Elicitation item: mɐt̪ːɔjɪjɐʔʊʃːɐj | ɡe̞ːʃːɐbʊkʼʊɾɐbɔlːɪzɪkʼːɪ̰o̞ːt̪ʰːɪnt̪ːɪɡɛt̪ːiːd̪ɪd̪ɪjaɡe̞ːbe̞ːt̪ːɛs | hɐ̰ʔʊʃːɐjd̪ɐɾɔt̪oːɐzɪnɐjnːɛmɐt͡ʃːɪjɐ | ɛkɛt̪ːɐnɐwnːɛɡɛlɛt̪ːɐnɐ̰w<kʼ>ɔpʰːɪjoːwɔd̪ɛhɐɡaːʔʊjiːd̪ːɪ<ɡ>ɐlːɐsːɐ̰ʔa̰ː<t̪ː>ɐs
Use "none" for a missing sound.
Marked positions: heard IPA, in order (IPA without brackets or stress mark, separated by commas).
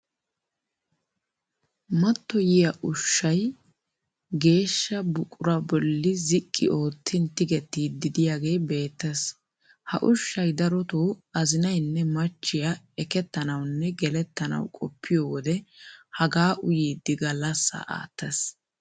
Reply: kʼ, ɡ, t̪ː